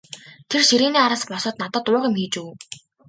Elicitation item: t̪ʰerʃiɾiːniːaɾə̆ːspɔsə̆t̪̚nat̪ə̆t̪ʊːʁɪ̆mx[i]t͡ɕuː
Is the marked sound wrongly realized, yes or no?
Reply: yes